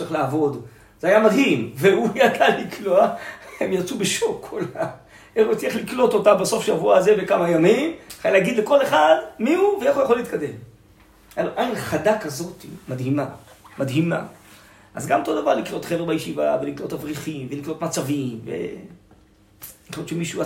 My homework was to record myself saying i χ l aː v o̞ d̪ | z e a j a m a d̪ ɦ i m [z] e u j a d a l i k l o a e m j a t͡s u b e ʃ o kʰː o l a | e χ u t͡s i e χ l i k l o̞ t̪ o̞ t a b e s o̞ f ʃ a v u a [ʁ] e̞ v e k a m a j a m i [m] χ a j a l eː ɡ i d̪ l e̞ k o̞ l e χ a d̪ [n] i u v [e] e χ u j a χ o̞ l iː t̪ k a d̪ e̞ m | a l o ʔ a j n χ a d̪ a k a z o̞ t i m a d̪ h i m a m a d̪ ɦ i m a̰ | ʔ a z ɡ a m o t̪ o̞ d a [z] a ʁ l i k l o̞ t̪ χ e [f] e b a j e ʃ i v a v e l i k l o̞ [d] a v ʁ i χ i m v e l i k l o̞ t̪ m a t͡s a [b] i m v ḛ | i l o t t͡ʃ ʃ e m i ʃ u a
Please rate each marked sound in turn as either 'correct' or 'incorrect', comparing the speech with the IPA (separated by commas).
incorrect, incorrect, correct, incorrect, correct, incorrect, incorrect, incorrect, incorrect